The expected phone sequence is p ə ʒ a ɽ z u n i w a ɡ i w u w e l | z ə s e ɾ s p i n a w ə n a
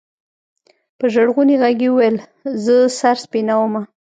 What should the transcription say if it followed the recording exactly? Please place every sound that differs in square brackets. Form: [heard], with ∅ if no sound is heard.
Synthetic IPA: p ə ʒ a ɽ [ɣ] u n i [ɣ] a ɡ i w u w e l | z ə s [a] ɾ s p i n a w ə [m] a